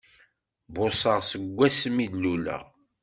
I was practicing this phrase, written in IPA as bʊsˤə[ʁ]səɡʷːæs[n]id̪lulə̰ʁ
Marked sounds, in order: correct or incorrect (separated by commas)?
correct, incorrect